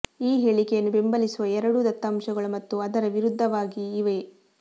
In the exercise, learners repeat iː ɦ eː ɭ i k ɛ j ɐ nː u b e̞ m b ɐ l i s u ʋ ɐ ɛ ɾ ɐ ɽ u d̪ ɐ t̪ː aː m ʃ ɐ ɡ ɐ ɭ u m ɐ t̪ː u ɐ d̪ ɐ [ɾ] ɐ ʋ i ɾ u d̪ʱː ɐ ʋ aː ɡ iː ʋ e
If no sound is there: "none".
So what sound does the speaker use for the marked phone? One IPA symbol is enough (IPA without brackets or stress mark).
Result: ɾ